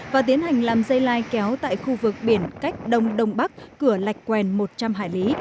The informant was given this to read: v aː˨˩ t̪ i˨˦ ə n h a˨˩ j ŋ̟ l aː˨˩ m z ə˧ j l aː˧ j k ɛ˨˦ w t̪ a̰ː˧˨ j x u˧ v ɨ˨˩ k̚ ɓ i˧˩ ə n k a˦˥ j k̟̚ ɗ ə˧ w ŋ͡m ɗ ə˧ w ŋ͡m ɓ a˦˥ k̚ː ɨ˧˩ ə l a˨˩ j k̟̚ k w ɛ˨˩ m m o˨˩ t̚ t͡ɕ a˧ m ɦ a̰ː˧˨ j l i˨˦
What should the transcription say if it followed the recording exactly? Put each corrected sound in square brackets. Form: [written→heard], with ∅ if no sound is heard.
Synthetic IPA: v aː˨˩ t̪ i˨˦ ə n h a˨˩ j ŋ̟ l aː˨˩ m z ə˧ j l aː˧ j k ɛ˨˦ w t̪ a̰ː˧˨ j x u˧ v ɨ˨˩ k̚ ɓ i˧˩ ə n k a˦˥ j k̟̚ ɗ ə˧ w ŋ͡m ɗ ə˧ w ŋ͡m ɓ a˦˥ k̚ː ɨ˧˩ ə l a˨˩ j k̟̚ k w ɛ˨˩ [m→n] m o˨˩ t̚ t͡ɕ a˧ m ɦ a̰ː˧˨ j l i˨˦

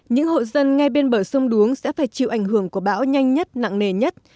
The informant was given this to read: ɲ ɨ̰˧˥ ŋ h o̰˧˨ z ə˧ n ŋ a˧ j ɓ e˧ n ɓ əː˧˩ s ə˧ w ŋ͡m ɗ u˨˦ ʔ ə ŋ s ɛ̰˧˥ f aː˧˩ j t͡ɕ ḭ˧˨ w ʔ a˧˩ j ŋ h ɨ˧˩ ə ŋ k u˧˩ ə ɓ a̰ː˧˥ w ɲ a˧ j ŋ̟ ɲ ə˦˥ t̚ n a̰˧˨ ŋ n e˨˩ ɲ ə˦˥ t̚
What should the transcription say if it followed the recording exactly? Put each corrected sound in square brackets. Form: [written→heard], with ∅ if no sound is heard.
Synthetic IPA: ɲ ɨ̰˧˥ ŋ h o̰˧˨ z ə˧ n ŋ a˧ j ɓ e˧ n ɓ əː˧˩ s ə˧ w ŋ͡m ɗ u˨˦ [ʔ→∅] ə ŋ s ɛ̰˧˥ f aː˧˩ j t͡ɕ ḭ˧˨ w ʔ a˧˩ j ŋ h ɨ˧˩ ə ŋ k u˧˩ ə ɓ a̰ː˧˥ w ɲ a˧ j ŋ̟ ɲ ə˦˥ t̚ n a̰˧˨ ŋ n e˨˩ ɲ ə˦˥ t̚

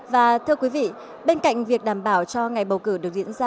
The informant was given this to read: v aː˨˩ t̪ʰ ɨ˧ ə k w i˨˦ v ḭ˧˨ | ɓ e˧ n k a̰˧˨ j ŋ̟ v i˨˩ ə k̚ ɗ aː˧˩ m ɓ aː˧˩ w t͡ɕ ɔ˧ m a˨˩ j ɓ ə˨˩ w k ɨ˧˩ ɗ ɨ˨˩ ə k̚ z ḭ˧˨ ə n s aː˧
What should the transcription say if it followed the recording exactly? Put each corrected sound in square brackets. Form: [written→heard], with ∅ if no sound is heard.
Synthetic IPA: v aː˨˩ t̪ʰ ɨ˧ ə k w i˨˦ v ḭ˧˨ | ɓ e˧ n k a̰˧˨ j ŋ̟ v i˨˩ ə k̚ ɗ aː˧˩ m ɓ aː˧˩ w t͡ɕ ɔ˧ [m→ŋ] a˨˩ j ɓ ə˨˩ w k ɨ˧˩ ɗ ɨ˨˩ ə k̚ z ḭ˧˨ ə n [s→z] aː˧

